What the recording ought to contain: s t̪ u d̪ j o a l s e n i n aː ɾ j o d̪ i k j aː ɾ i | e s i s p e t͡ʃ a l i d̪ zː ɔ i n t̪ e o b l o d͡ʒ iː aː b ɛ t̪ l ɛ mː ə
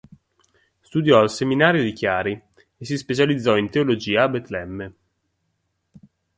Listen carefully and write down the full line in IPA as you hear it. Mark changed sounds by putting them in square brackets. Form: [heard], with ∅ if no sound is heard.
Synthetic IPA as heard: s t̪ u d̪ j [ɔ] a l s e [m] i n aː ɾ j o d̪ i k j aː ɾ i | e s i s p e t͡ʃ a l i d̪ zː ɔ i n t̪ e o [∅] l o d͡ʒ iː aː b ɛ t̪ l ɛ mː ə